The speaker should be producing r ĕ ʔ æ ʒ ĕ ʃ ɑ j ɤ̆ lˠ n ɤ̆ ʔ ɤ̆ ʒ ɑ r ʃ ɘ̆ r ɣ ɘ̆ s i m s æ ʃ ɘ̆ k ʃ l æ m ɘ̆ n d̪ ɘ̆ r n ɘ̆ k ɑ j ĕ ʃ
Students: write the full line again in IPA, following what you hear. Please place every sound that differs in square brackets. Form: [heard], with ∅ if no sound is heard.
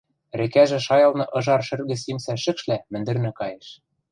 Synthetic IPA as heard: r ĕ [k] æ ʒ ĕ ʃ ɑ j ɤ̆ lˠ n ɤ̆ ʔ ɤ̆ ʒ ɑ r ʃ ɘ̆ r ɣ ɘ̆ s i m s æ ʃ ɘ̆ k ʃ l æ m ɘ̆ n d̪ ɘ̆ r n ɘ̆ k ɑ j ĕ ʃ